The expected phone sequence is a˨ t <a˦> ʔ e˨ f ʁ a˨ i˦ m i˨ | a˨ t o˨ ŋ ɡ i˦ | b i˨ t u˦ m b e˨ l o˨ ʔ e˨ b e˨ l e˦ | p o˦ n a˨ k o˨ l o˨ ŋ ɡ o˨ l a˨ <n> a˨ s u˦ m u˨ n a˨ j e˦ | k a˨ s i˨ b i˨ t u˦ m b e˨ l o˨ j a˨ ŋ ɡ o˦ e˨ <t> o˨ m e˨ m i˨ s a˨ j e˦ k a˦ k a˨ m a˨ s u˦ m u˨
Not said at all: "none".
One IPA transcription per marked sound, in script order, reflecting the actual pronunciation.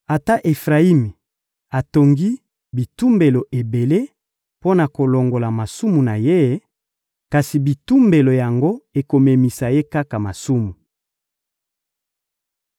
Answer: a˦, m, k

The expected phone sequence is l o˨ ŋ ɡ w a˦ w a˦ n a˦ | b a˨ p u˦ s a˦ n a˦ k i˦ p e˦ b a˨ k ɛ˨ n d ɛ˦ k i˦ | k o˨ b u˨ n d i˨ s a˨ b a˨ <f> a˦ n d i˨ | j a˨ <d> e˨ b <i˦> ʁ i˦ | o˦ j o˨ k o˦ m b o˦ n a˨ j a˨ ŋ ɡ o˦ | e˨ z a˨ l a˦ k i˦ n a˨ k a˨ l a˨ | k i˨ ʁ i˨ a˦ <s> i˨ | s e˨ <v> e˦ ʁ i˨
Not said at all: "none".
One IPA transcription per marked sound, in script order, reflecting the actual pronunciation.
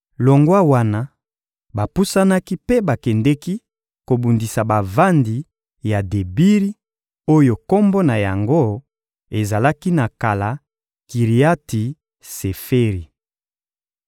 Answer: v, d, i˦, t, f

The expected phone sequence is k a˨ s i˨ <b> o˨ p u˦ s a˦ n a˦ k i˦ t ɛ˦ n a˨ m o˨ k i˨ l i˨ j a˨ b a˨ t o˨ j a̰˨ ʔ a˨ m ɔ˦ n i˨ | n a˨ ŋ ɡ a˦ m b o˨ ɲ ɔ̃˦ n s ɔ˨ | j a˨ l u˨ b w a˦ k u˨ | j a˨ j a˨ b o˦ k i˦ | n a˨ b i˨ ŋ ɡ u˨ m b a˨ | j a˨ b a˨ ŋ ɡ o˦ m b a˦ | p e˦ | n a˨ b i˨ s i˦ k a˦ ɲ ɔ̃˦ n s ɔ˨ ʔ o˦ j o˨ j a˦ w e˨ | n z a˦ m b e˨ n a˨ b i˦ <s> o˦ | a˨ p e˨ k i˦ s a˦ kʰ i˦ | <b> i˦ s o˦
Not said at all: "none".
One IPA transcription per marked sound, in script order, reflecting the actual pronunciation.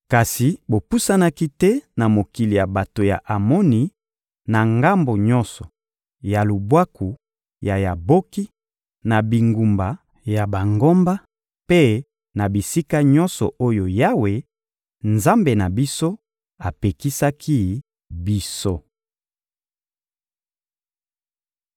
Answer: b, s, b

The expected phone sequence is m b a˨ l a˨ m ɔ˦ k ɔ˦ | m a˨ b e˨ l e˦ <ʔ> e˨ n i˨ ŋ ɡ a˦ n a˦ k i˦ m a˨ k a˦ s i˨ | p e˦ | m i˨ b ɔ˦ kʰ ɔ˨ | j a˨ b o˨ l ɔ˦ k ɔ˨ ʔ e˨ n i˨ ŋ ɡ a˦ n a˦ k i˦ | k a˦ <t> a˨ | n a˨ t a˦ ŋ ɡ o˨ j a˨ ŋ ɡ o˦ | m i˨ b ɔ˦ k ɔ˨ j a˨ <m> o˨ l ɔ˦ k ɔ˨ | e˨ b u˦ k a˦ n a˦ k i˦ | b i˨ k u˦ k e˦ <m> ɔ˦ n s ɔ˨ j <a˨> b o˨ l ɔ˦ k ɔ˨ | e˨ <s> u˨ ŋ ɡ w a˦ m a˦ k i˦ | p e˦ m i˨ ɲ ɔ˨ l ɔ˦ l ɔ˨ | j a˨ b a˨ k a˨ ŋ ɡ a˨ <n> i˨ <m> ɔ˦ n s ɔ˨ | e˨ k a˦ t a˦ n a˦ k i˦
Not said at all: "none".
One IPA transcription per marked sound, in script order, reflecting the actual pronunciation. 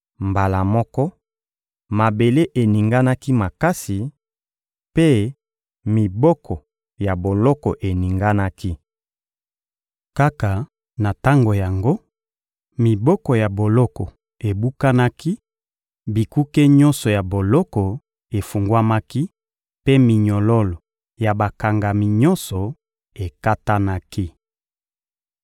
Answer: ʔ, k, b, ɲ, a˨, f, m, ɲ

